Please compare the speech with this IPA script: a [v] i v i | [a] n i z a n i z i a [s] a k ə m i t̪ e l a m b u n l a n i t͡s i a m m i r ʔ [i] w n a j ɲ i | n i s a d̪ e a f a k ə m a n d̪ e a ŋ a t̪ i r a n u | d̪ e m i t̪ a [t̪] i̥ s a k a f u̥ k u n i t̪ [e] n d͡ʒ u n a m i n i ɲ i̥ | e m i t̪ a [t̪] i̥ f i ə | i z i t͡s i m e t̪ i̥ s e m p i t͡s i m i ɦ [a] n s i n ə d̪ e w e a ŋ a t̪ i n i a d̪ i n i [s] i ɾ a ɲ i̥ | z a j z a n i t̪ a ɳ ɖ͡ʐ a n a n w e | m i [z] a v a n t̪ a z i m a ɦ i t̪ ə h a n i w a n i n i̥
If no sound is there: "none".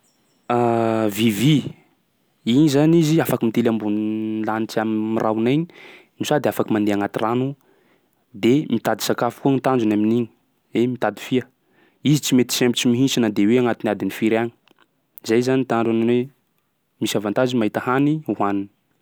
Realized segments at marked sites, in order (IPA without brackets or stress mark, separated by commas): v, i, f, a, d̪, a, d̪, i, f, s